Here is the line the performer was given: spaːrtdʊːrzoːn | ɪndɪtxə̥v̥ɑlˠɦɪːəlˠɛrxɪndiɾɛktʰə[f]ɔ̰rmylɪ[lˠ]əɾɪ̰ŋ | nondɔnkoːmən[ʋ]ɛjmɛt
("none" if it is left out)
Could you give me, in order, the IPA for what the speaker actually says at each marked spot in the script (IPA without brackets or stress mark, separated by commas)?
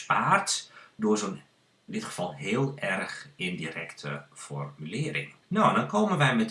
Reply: f, none, ʋ